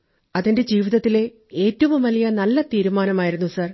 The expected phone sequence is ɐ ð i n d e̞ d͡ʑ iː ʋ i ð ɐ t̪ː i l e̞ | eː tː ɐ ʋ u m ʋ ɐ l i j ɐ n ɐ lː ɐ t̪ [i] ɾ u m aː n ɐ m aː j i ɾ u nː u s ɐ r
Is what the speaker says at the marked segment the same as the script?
no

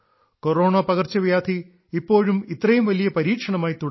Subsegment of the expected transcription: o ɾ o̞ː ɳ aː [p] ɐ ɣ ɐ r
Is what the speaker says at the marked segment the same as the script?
yes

